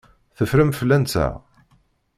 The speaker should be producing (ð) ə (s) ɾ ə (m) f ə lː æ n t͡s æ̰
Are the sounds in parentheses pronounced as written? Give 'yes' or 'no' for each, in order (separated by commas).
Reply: no, no, yes